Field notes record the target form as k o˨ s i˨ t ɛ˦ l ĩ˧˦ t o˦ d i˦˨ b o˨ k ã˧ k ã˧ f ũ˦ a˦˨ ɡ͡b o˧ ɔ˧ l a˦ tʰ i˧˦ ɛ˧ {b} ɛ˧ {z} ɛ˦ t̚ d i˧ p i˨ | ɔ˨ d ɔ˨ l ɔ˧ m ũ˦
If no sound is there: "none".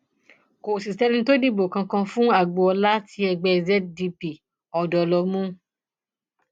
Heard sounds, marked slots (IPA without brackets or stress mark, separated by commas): ɡ͡b, z